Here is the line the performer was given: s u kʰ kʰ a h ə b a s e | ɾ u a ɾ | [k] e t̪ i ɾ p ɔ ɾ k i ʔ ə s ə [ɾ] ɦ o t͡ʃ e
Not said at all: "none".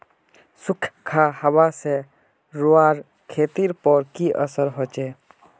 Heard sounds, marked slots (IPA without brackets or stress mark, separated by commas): kʰ, ɾ